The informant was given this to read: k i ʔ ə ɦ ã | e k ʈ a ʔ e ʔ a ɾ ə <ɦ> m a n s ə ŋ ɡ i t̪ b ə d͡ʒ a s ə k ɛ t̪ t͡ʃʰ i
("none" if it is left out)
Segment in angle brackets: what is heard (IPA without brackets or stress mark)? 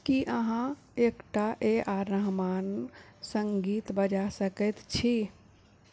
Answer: ɦ